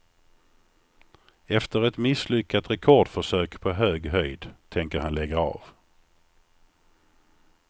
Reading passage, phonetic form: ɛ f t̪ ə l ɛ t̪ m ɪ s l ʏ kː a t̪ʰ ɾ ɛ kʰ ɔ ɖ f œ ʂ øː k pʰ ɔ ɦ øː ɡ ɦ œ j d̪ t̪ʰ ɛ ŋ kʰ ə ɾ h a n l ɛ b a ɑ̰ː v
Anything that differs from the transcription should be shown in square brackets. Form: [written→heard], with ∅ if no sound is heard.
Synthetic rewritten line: ɛ f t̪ ə [l→ɾ] ɛ t̪ m ɪ s l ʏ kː a [t̪ʰ→t̪] ɾ ɛ kʰ ɔ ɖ f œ ʂ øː k pʰ ɔ ɦ øː ɡ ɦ œ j d̪ t̪ʰ ɛ ŋ [kʰ→k] ə ɾ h a n l ɛ [b→ɡ] a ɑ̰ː v